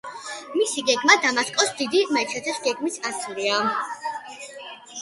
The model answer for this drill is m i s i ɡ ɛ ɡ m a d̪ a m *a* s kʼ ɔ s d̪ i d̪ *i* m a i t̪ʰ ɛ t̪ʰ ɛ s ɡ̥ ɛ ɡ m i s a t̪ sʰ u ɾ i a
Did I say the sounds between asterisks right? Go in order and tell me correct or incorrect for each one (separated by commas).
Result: correct, correct